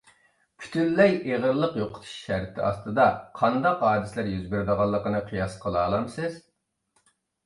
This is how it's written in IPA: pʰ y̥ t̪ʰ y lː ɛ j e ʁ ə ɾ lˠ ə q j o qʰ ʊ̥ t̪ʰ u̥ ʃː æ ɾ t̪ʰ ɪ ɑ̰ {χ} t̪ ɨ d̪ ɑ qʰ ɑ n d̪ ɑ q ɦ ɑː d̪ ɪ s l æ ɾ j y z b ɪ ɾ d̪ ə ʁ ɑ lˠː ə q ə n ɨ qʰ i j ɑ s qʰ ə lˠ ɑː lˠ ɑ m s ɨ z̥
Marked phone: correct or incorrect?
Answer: incorrect